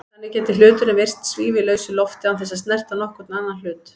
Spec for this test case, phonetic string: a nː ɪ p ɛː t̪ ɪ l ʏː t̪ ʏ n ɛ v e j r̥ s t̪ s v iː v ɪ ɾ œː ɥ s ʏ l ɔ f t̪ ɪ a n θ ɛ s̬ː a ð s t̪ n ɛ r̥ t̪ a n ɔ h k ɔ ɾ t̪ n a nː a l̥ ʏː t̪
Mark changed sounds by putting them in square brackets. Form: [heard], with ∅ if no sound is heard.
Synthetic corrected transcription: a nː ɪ [c] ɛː t̪ ɪ l ʏː t̪ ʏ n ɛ v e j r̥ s t̪ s v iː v ɪ [l] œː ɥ s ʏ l ɔ f t̪ ɪ a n θ ɛ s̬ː a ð s t̪ n ɛ r̥ t̪ a n ɔ h k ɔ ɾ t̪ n a nː a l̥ ʏː t̪

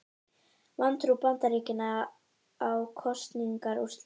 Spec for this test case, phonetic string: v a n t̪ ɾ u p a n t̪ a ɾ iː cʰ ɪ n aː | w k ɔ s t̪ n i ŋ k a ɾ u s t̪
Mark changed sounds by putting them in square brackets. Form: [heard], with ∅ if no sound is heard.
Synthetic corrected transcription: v a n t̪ ɾ u p a n t̪ a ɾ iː [c] ɪ n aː | w [kʰ] ɔ s t̪ n i ŋ k a ɾ u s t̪

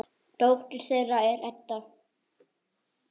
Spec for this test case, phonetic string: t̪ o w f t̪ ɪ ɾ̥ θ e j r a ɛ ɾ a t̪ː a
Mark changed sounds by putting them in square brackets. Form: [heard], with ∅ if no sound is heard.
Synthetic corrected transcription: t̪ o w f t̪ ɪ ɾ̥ θ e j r a ɛ ɾ [ɛ] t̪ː a

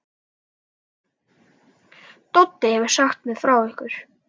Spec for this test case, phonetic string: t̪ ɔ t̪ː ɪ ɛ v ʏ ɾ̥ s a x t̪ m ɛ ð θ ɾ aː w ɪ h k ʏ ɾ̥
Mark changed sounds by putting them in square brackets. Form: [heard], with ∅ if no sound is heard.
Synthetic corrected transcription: t̪ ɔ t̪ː ɪ ɛ v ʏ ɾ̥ s a x t̪ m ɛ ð [f] ɾ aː w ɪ h k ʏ ɾ̥

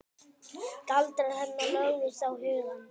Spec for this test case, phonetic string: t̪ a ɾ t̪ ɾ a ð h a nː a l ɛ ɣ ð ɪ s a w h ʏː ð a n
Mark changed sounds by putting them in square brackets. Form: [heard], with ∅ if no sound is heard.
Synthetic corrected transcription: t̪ a [l] t̪ ɾ a ð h [ɛ] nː a l [œ] ɣ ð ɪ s a w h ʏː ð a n

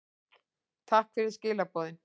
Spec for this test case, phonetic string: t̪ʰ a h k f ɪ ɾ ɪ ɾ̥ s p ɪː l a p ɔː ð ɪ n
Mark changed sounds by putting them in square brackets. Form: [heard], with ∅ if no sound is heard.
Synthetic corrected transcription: t̪ʰ a h k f ɪ ɾ ɪ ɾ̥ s [c] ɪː l a p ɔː ð ɪ n

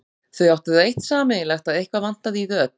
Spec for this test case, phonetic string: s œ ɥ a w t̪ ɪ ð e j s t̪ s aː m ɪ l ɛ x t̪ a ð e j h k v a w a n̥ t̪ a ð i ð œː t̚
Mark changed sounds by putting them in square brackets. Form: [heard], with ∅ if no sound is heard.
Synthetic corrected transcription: [θ] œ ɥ a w t̪ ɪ ð e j [h] t̪ s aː m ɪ l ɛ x t̪ a ð e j h k v a [v] a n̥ t̪ a ð i ð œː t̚

